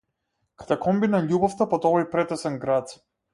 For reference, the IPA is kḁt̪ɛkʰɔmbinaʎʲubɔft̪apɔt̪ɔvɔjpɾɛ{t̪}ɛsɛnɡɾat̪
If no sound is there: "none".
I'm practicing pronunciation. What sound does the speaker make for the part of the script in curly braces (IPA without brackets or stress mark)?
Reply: t̪